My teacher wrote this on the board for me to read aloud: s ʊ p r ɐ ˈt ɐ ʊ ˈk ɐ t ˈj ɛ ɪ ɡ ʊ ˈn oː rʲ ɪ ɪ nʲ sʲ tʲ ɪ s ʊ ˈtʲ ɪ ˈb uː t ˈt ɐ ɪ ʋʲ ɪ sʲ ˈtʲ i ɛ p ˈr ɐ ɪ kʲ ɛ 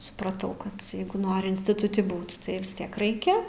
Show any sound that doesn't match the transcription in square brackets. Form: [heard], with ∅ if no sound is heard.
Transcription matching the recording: s ʊ p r ɐ ˈt ɐ ʊ ˈk ɐ t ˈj ɛ ɪ ɡ ʊ ˈn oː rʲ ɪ ɪ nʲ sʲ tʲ ɪ [t] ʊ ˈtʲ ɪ ˈb uː t ˈt ɐ ɪ ʋʲ ɪ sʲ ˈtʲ i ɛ [k] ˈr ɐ ɪ kʲ ɛ